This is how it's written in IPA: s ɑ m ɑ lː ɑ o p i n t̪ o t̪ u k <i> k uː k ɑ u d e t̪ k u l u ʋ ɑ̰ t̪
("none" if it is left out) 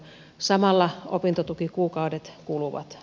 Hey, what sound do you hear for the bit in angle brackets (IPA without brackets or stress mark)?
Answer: i